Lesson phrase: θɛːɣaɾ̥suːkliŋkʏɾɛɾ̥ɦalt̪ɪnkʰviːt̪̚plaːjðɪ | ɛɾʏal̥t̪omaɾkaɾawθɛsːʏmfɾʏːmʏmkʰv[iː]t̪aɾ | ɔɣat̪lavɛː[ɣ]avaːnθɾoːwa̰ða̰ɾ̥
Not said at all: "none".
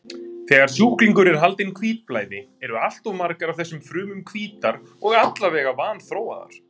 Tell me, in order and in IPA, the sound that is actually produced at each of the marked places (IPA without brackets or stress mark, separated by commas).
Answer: iː, ɣ